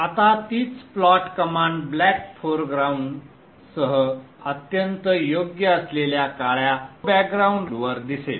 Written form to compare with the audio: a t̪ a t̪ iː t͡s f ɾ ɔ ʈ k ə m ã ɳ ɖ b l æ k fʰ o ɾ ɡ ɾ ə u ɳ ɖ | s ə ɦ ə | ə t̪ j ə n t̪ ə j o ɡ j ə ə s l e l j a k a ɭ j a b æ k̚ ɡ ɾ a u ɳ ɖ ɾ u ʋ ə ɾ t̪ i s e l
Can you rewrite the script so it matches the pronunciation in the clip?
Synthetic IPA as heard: a t̪ a t̪ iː t͡s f l ɔ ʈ k ə m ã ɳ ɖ b l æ k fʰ o ɾ ɡ ɾ a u ɳ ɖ | s ə ɦ ə | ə t̪ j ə n t̪ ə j o ɡ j ə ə s l e l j a k a ɭ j a b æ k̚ ɡ ɾ a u ɳ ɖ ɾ u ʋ ə ɾ d̪ i s e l